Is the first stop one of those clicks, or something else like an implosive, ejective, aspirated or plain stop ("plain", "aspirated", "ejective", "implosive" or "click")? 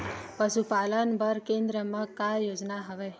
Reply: plain